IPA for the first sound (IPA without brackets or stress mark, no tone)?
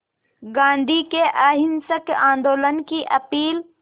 ɡ